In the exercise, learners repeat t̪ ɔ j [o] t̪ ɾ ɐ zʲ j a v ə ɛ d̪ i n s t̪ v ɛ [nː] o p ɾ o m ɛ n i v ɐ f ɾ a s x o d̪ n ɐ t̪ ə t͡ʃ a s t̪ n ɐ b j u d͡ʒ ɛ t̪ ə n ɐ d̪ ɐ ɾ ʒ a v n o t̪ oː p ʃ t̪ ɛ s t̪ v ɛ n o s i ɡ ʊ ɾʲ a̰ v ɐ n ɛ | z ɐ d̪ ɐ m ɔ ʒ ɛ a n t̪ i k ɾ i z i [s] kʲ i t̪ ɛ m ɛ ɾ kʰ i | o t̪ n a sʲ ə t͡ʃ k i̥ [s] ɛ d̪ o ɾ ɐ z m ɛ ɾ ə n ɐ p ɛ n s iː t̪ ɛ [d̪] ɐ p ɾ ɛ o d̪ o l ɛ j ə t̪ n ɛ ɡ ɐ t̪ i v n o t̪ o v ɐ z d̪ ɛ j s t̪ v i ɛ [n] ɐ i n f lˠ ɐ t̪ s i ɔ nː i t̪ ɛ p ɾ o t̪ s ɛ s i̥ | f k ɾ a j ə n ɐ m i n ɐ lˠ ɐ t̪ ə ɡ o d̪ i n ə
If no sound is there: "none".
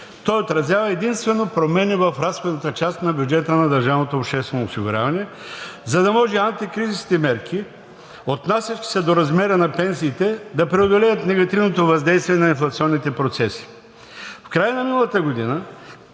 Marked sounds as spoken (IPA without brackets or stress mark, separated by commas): o, n, s, s, d̪, n